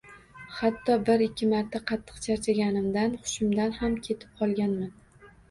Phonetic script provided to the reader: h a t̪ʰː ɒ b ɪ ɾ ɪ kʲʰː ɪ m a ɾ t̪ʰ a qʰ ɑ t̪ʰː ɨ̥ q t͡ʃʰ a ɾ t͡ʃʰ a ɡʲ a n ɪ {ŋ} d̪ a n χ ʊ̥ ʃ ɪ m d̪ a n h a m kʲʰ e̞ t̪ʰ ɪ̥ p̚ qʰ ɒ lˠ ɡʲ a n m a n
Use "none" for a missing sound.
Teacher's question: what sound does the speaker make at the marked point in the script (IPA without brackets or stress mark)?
m